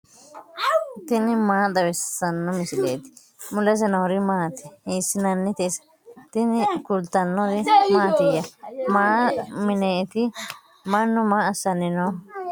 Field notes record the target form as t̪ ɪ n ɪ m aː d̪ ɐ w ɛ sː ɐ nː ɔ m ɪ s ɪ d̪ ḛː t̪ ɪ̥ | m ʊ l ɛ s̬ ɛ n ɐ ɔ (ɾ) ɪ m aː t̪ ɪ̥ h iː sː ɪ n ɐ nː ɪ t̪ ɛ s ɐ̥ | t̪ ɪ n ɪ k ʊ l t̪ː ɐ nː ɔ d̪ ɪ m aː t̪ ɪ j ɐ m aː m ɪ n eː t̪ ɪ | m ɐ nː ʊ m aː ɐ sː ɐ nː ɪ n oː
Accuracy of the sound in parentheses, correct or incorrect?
correct